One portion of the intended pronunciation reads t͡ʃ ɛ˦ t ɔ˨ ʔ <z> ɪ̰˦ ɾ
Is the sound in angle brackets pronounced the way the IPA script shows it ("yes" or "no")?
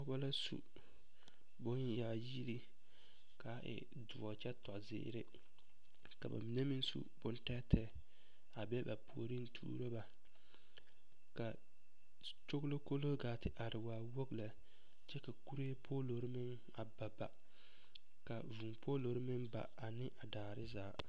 yes